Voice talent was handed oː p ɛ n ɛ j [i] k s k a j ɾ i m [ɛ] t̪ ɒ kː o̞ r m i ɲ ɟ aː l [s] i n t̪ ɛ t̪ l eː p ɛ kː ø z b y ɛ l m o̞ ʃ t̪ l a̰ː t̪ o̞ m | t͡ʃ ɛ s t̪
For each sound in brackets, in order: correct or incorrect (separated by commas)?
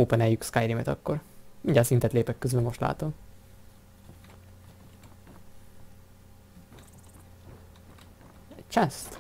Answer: incorrect, correct, correct